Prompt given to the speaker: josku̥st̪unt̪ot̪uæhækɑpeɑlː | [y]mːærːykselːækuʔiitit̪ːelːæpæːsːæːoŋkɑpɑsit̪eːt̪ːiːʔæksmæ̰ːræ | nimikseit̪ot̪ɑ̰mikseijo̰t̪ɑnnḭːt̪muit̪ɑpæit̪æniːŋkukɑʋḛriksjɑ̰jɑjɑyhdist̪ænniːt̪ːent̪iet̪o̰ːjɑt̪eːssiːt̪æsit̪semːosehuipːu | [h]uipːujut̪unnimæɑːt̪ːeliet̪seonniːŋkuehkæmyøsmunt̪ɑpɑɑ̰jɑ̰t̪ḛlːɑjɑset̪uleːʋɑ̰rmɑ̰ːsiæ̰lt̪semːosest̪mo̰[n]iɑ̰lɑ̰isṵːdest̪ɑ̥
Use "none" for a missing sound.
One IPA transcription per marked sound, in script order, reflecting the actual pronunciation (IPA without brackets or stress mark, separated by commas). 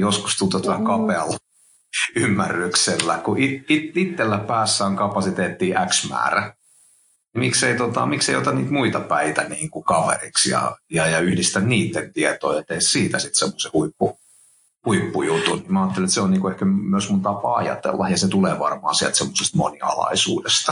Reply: y, h, n